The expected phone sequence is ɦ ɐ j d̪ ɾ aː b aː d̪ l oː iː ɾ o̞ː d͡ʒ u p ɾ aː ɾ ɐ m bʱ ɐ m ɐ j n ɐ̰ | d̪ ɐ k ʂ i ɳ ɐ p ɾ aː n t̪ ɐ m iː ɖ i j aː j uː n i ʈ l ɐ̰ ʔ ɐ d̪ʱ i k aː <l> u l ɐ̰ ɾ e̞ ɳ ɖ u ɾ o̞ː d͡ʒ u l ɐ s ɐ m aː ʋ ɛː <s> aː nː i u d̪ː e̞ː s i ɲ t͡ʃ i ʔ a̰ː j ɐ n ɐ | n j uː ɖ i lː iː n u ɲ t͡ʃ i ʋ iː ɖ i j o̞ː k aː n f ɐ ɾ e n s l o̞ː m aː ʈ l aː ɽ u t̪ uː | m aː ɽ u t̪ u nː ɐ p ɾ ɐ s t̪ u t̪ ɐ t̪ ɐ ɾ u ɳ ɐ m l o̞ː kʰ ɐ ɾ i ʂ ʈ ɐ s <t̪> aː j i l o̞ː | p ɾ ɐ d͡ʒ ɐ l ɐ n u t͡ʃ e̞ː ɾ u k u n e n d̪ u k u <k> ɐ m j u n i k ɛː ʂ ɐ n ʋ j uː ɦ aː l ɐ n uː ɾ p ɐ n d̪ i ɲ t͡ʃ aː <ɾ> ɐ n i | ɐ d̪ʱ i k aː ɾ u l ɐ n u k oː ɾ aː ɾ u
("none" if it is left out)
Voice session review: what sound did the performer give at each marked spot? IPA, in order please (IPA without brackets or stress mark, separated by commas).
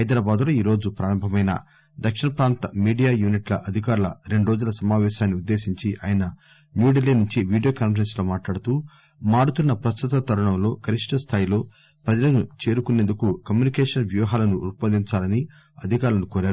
ɾ, ʃ, t̪ʰ, k, l